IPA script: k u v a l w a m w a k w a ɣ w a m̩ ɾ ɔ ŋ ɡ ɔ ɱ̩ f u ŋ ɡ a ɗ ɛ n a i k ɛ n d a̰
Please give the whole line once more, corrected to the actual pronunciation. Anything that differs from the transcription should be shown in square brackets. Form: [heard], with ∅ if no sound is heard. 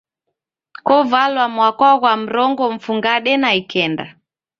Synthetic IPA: k [ɔ] v a l w a m w a k w a ɣ w a m̩ ɾ ɔ ŋ ɡ ɔ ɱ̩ f u ŋ ɡ a ɗ ɛ n a i k ɛ n d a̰